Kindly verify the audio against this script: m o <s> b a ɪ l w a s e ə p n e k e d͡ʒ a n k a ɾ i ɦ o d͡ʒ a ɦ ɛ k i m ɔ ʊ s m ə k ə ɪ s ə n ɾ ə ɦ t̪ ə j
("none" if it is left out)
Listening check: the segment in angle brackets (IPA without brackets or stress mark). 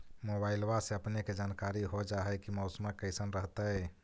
none